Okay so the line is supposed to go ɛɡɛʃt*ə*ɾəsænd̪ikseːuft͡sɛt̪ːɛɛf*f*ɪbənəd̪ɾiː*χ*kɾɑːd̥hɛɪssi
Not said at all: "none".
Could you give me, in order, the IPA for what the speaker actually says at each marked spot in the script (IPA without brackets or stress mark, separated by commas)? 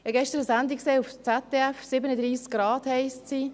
ə, s, s